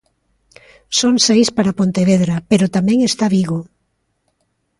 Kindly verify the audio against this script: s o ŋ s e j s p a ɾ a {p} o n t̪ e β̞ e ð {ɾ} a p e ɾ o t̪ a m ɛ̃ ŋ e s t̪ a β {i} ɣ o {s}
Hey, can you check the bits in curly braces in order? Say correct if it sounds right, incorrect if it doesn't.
correct, correct, correct, incorrect

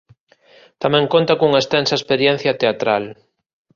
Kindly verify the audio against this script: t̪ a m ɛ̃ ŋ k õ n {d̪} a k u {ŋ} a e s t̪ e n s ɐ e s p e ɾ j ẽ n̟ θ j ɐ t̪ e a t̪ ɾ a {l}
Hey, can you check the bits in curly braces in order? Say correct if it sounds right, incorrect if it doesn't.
incorrect, correct, correct

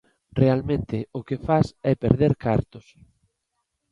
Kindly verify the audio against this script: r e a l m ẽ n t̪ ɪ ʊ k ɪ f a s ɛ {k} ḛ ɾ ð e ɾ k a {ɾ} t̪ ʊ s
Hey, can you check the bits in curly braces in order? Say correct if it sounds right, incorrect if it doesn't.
incorrect, correct

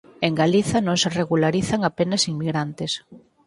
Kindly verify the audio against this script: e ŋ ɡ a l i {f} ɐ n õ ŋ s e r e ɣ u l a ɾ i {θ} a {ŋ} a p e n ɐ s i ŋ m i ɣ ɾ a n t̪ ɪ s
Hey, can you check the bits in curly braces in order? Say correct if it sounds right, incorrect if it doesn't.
incorrect, correct, correct

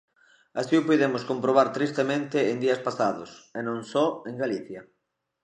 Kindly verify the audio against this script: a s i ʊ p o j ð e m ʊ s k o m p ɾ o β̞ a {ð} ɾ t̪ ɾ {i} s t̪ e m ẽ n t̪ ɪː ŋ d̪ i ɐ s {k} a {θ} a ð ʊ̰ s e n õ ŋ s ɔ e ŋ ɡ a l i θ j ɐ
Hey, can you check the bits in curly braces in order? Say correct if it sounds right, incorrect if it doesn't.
incorrect, correct, incorrect, incorrect

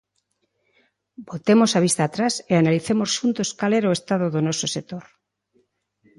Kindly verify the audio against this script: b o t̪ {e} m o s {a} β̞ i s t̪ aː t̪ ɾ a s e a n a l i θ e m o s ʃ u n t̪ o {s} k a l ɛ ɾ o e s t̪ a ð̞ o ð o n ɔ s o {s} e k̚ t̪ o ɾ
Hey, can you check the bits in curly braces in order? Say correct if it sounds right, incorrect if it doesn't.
correct, correct, correct, correct

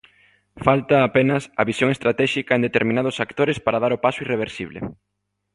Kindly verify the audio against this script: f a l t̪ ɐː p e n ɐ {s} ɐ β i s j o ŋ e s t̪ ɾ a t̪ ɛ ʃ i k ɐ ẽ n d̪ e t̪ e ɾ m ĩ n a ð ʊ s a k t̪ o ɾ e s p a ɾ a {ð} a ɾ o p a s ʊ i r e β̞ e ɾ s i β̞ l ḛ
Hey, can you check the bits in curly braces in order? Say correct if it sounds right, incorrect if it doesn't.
correct, correct

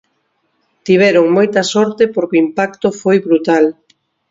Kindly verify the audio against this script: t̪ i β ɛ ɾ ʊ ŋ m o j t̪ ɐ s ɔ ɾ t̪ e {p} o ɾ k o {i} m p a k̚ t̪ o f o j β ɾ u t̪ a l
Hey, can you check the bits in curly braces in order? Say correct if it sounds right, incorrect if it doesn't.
correct, correct

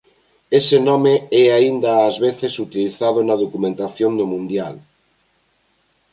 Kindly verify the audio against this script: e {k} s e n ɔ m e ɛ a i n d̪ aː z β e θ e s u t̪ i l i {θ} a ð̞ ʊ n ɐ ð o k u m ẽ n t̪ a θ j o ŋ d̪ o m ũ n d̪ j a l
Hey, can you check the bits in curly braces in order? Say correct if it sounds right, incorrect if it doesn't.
incorrect, correct

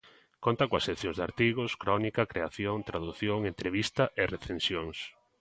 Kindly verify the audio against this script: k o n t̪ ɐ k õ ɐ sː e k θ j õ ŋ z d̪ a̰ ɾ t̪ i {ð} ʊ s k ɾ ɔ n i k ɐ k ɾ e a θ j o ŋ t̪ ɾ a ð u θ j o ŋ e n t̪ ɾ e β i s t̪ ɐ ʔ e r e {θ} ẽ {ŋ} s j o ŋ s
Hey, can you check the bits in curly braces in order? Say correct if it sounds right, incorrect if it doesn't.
incorrect, correct, incorrect

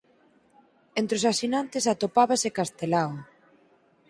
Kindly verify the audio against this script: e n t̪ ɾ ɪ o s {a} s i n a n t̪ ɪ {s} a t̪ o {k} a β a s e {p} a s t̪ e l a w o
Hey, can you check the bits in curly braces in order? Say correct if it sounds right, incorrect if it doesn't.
correct, correct, incorrect, incorrect

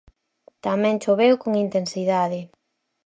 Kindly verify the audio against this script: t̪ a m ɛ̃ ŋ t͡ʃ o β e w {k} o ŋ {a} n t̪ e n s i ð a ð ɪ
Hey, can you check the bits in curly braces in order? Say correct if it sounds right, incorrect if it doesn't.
correct, incorrect

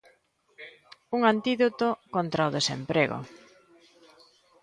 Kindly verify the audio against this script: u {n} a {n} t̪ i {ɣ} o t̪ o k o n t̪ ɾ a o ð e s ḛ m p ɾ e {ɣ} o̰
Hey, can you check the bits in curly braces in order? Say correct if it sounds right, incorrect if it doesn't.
incorrect, correct, incorrect, correct

